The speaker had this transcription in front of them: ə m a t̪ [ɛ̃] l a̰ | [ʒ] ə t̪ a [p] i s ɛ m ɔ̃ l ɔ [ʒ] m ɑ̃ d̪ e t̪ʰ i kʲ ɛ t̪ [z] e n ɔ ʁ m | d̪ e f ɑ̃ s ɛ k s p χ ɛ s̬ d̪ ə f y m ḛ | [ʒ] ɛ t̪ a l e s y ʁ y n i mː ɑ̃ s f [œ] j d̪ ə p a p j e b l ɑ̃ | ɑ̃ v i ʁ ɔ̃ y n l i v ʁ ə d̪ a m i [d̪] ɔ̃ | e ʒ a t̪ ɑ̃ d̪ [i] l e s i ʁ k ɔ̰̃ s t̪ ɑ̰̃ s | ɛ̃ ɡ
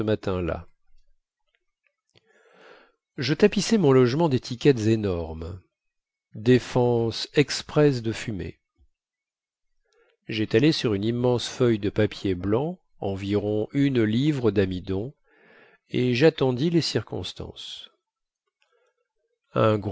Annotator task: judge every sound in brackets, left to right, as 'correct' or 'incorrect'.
correct, correct, correct, correct, correct, correct, correct, correct, correct

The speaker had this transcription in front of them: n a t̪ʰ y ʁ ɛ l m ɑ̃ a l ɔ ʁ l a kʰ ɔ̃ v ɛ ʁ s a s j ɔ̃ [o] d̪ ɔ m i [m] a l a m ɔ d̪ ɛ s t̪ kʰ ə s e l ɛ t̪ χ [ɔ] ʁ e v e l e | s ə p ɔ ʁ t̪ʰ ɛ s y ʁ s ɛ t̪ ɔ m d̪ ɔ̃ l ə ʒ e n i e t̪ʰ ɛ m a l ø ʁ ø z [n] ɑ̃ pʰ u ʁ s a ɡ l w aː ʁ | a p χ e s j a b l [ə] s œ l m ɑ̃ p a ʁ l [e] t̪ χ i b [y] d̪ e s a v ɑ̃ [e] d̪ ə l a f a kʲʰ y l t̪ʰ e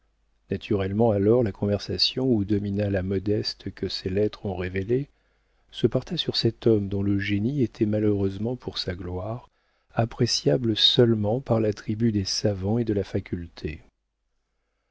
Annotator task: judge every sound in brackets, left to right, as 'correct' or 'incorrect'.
incorrect, incorrect, incorrect, incorrect, correct, incorrect, correct, correct

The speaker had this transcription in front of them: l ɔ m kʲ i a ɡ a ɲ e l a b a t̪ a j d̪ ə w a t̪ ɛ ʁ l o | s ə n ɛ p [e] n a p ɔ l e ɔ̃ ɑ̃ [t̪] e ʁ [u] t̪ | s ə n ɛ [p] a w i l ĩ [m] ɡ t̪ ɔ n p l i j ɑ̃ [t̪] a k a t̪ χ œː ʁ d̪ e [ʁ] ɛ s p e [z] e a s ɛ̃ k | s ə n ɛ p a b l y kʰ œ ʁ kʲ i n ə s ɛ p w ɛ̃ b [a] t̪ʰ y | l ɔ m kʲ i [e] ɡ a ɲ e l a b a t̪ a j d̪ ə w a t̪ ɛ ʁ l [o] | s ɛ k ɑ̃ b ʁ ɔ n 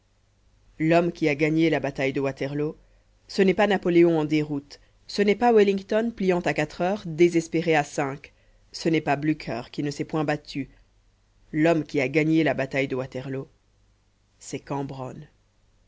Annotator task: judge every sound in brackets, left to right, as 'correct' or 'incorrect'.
incorrect, incorrect, correct, correct, incorrect, correct, incorrect, incorrect, correct, incorrect, correct

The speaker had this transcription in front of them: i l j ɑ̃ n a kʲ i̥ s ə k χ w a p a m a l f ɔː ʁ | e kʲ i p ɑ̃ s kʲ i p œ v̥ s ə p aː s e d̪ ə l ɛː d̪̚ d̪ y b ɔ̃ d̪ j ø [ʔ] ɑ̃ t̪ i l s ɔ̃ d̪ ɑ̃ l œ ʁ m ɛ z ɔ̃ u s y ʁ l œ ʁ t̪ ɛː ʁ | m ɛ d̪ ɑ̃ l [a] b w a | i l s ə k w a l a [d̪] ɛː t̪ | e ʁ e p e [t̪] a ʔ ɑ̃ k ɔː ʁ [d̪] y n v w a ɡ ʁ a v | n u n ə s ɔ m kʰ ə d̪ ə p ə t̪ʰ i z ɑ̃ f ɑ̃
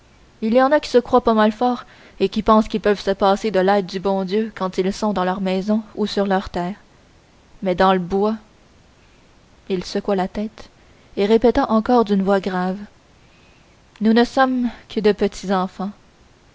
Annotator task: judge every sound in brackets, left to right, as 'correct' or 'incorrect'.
incorrect, incorrect, incorrect, correct, correct

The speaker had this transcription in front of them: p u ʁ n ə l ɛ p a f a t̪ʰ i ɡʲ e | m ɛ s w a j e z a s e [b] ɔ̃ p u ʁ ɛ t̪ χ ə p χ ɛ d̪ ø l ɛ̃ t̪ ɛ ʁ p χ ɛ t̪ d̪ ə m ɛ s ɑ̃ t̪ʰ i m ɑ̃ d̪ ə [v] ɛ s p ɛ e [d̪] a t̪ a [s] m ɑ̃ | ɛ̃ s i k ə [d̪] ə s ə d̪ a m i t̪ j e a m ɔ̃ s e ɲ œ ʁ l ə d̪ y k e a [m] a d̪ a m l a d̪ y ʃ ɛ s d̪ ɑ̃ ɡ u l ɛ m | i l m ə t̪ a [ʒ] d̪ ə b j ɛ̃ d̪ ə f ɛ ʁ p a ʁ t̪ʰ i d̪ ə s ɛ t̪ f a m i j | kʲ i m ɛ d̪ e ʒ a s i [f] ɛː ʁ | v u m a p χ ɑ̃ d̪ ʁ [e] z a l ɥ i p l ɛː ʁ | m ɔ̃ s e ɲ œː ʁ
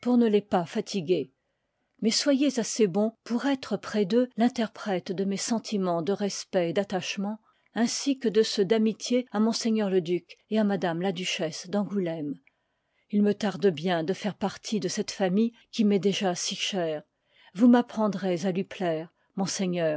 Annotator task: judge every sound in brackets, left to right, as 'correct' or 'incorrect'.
correct, incorrect, correct, incorrect, correct, correct, incorrect, incorrect, correct

